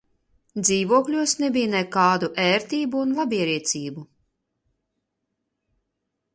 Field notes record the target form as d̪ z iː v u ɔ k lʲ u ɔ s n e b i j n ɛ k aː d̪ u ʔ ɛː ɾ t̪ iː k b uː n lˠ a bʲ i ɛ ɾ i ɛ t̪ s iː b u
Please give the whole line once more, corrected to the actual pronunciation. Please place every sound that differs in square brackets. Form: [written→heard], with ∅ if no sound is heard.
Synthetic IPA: d̪ z iː v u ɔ k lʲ u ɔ s n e b i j n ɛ k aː d̪ u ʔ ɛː ɾ t̪ iː [k→∅] b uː n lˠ a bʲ i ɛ ɾ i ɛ t̪ s iː b u